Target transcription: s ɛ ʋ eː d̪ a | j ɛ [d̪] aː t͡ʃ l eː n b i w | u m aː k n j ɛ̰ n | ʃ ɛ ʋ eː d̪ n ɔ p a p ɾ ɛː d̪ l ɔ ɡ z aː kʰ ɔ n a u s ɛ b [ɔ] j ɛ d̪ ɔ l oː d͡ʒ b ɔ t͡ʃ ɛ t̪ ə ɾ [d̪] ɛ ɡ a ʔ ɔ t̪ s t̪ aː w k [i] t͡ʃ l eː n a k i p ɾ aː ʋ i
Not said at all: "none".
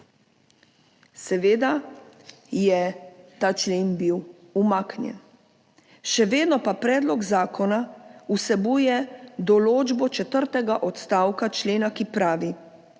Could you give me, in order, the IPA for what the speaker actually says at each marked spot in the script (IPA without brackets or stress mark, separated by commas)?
t̪, u, t̪, a